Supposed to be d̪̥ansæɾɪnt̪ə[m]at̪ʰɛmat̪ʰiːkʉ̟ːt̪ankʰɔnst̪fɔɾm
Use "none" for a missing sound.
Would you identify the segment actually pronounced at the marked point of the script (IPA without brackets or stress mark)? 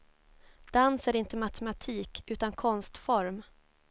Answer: m